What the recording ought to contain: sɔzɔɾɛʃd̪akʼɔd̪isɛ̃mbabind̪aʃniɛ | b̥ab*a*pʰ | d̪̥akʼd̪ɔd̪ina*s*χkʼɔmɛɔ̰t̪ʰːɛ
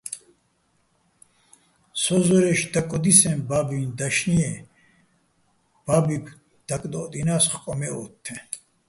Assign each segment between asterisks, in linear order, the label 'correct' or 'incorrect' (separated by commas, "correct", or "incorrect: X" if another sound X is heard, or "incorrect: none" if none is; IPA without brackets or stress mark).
incorrect: i, correct